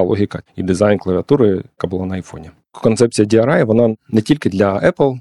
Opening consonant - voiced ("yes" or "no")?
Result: yes